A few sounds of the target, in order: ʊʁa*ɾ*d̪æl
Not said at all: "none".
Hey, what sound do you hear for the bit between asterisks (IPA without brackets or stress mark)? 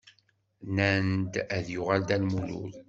l